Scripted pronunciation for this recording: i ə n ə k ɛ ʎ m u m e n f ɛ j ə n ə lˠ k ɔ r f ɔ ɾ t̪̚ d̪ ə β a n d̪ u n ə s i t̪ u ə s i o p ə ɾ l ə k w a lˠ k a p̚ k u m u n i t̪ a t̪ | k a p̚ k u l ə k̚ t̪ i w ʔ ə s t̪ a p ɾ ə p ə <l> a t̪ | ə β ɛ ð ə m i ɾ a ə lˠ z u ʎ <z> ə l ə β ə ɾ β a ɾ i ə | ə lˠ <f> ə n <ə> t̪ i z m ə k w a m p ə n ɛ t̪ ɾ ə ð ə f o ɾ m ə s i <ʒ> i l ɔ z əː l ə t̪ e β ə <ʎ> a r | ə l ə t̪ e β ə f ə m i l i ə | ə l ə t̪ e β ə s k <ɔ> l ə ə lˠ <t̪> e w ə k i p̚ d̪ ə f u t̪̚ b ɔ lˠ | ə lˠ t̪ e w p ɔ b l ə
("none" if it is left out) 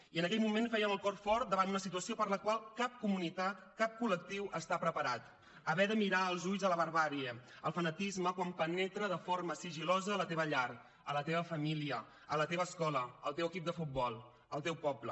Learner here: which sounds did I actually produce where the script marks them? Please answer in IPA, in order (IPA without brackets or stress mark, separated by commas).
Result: ɾ, z, f, ə, ʒ, ʎ, ɔ, t̪